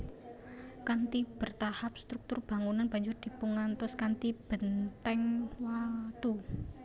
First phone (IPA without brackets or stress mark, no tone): k